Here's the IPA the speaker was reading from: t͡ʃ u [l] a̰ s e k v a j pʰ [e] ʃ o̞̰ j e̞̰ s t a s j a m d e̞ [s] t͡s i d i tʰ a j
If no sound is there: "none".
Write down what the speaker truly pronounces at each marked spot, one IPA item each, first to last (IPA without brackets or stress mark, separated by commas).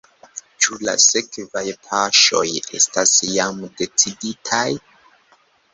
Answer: l, a, none